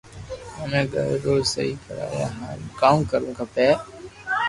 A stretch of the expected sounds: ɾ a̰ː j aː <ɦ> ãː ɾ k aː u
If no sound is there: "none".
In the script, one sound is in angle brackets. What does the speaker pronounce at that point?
ɦ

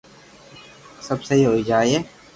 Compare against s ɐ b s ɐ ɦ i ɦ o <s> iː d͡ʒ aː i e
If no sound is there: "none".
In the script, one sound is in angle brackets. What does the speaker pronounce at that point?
none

